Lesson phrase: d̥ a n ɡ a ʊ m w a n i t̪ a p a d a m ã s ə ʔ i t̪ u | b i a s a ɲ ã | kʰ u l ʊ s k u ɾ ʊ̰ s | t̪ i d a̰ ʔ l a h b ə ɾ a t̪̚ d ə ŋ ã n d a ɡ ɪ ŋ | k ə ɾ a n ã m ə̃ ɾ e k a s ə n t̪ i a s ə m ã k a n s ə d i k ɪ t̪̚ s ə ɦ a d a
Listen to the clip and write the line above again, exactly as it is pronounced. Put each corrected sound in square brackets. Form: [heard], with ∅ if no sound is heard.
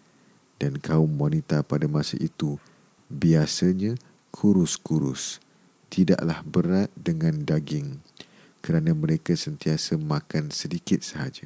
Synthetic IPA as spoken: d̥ a n [k] a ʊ m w a n i t̪ a p a d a m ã s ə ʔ i t̪ u | b i a s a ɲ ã | kʰ u [ɾ] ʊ s k u ɾ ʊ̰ s | t̪ i d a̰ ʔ l a h b ə ɾ a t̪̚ d ə ŋ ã n d a ɡ ɪ ŋ | k ə ɾ a n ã m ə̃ ɾ e k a s ə n t̪ i a s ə m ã k a n s ə d i k ɪ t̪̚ s ə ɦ a [d͡ʒ] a